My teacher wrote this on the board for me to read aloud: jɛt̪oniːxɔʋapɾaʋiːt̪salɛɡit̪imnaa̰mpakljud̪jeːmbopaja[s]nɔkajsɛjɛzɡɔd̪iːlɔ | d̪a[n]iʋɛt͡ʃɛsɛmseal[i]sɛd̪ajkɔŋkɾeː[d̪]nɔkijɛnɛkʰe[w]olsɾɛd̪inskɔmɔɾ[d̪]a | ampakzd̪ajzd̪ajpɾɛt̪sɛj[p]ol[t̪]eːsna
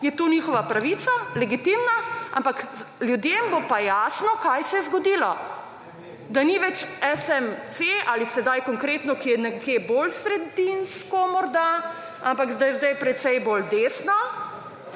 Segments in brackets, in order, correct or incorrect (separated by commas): correct, correct, correct, incorrect, incorrect, correct, incorrect, incorrect